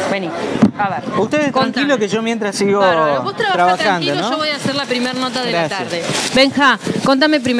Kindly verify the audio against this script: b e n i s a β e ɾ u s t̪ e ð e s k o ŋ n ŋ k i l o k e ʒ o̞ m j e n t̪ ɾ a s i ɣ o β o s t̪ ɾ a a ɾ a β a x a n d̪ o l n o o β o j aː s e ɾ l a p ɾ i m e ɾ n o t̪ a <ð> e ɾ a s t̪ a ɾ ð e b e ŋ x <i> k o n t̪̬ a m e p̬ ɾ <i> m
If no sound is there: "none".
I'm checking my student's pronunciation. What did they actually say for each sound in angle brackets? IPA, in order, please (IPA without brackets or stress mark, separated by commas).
ð, a, i